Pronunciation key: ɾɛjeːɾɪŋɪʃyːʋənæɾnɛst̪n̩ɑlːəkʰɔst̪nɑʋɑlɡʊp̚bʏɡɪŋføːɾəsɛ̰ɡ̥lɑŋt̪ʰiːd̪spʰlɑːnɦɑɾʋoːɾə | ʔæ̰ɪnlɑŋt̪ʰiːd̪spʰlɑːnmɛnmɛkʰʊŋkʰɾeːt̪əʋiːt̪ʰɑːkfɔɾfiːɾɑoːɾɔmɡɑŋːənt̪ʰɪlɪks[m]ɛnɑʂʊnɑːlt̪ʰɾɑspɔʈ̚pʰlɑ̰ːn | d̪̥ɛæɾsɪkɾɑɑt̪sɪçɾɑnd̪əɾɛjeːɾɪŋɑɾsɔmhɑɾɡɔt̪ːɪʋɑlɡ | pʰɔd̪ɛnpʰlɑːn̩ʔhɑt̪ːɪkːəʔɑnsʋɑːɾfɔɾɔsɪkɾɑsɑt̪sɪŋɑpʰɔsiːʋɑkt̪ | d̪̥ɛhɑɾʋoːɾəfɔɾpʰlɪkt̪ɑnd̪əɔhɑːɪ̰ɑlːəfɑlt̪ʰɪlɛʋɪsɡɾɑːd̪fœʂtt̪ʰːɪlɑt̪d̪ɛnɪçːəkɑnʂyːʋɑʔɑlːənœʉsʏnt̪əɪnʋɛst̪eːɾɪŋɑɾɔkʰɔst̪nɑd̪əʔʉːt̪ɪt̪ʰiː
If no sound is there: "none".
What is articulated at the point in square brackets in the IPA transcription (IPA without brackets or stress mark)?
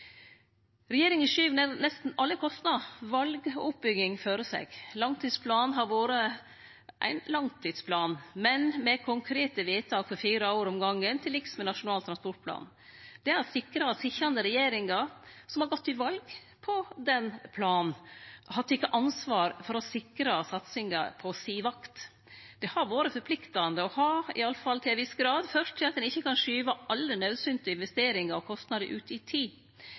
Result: m